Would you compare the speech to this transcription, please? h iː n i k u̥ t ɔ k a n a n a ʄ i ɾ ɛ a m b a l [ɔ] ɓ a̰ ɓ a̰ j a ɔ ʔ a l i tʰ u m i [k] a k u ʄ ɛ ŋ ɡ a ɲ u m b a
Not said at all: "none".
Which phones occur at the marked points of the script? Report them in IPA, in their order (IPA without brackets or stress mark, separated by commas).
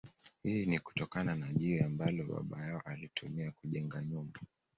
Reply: ɔ, none